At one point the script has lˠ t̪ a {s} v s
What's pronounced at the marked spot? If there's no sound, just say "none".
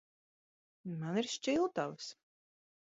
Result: none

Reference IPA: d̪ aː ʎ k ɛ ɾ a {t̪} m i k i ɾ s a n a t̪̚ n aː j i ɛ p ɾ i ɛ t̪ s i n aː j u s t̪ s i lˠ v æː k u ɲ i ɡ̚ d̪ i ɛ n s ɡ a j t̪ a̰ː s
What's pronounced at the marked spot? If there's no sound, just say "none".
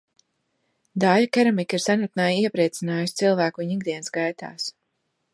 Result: none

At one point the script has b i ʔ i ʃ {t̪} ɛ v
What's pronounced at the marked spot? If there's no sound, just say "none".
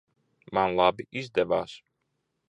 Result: d̪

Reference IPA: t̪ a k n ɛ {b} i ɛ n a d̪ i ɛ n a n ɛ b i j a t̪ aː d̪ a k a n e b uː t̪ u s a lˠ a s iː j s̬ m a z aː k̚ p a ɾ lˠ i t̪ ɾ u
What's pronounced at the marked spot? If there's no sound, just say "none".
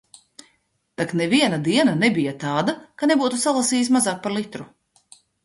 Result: v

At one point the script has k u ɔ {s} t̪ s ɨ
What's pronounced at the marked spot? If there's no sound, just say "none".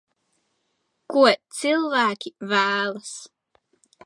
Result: none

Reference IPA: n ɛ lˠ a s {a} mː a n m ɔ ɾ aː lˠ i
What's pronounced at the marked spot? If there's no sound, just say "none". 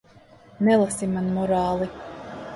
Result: i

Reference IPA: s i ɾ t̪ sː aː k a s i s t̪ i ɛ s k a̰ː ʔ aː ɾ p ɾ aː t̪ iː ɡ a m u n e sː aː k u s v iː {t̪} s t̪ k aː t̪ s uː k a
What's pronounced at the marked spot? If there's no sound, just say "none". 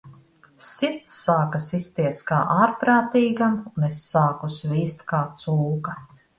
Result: none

